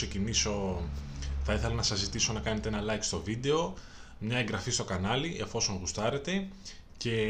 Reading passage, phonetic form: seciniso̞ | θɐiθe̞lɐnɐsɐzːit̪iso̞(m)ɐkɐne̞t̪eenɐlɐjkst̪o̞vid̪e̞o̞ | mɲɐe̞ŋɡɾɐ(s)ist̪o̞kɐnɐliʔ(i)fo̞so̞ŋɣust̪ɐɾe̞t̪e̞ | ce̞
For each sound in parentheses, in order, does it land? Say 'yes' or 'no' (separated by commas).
no, no, no